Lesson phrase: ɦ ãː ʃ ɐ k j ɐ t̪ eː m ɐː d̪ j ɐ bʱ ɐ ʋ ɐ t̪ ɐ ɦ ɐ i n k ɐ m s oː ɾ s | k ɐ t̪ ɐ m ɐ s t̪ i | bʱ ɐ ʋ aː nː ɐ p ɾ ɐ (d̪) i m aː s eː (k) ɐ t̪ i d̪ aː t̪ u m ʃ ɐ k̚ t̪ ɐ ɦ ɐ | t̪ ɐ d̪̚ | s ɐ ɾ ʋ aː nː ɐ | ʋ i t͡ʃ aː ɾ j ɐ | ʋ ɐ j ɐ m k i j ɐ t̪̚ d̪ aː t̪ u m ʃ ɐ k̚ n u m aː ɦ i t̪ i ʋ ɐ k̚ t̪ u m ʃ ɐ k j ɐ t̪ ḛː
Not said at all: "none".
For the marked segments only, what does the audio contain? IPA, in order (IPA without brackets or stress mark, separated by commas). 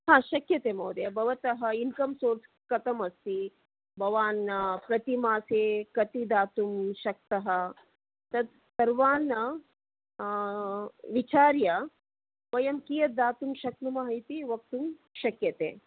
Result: t̪, k